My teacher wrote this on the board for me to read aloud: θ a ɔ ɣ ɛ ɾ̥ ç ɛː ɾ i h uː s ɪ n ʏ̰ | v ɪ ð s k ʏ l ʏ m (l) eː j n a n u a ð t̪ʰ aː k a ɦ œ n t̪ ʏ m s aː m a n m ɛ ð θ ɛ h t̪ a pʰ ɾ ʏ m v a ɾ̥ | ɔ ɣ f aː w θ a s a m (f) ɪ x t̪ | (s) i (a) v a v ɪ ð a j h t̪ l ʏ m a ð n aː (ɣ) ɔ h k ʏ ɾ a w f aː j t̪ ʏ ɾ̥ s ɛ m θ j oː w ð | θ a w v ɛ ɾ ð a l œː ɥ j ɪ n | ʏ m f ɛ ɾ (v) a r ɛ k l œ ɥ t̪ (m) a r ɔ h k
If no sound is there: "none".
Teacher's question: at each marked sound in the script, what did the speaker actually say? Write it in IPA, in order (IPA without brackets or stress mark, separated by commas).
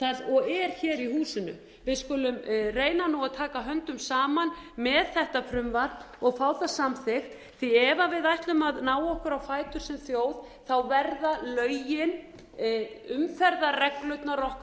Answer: r, θ, θ, ɛ, w, ð, n